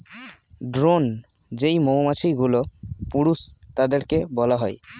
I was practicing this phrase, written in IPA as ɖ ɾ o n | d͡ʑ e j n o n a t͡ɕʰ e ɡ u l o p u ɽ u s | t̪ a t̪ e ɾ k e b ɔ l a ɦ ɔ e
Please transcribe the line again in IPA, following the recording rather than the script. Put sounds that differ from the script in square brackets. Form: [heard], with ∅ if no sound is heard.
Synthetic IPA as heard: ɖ ɾ o n | d͡ʑ e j [m] o [m] a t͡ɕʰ [i] ɡ u l o p u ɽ u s | t̪ a [d̪] e ɾ k e b ɔ l a ɦ ɔ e